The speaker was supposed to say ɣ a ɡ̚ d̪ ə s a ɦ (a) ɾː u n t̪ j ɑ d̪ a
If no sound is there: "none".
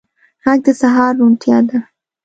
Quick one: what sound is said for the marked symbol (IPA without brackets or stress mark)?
ɑ